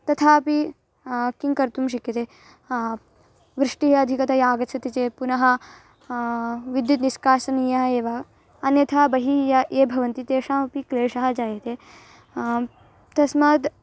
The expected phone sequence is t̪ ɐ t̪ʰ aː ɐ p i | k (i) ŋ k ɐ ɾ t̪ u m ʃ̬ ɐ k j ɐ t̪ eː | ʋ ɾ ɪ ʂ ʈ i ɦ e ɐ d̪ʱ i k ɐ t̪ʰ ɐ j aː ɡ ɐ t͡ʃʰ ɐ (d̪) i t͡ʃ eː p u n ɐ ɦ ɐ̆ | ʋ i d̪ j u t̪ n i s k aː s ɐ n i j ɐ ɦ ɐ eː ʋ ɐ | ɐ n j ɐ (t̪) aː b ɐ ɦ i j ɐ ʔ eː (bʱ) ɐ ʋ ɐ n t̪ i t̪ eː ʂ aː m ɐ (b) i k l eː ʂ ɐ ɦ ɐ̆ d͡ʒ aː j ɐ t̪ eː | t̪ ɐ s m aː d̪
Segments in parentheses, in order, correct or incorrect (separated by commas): correct, incorrect, incorrect, correct, incorrect